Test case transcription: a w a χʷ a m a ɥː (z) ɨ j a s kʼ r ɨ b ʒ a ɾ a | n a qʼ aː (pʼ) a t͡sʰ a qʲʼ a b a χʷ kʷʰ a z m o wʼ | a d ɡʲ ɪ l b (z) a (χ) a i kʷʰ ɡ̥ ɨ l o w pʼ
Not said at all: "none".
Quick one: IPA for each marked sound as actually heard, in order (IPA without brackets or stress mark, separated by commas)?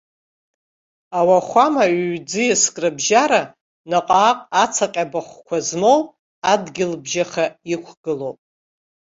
d͡z, qʼ, ʒ, χ